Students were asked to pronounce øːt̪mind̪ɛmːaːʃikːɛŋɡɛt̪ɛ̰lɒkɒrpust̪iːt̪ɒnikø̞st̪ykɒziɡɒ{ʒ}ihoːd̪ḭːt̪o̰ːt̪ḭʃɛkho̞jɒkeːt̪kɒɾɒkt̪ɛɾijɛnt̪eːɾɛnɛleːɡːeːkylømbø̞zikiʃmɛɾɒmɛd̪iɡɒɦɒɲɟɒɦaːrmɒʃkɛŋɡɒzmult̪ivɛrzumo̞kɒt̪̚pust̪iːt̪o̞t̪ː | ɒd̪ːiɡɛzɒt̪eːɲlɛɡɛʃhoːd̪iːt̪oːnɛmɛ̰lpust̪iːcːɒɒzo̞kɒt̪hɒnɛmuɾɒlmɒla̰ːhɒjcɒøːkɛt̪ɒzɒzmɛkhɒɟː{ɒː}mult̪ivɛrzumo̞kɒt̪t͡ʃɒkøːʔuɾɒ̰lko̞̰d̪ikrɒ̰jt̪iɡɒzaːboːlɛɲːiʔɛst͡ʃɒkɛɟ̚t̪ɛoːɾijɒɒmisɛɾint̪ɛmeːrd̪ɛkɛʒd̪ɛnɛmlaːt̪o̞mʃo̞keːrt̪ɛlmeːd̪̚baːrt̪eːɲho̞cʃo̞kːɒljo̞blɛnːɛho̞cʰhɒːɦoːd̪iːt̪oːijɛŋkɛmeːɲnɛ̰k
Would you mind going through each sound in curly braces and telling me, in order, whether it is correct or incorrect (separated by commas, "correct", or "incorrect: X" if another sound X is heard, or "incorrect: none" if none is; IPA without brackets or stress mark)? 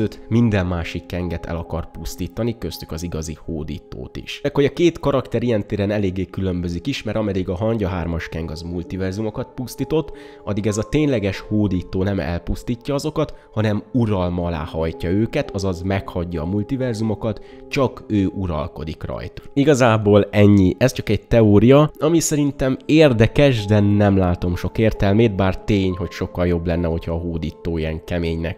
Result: incorrect: z, correct